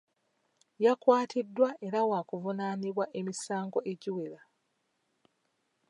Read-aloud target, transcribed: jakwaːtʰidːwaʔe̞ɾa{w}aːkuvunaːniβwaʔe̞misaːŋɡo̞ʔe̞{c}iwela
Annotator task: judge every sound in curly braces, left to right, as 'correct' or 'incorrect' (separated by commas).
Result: correct, incorrect